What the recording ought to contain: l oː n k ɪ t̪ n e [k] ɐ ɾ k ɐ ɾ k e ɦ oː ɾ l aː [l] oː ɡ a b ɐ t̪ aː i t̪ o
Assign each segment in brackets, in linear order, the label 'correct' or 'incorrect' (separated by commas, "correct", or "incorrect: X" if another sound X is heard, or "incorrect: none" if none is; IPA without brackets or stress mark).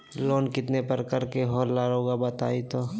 incorrect: p, incorrect: ɾ